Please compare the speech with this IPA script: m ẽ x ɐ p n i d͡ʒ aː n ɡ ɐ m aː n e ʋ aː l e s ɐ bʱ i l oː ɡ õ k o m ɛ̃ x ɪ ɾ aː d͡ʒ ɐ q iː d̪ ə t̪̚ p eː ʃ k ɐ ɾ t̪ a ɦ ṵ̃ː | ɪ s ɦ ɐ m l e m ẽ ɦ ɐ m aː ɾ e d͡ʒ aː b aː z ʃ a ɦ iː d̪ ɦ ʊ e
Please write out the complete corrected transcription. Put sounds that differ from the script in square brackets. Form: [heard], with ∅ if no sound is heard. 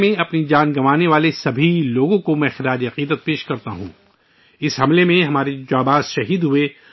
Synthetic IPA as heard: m ẽ [∅] ɐ p n i d͡ʒ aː n ɡ ɐ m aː n e ʋ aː l e s ɐ bʱ i l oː ɡ õ k o m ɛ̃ x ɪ ɾ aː d͡ʒ ɐ q iː d̪ ə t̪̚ p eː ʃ k ɐ ɾ t̪ a ɦ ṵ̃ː | ɪ s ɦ ɐ m l e m ẽ ɦ ɐ m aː ɾ e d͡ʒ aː b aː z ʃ [ɐ] ɦ iː d̪ ɦ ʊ e